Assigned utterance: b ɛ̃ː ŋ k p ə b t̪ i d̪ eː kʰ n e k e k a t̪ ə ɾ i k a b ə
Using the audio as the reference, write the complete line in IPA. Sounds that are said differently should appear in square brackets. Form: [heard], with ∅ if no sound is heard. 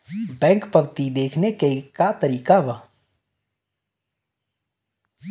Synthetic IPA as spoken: b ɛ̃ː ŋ k p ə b t̪ i d̪ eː kʰ n e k e k a t̪ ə ɾ [iː] k a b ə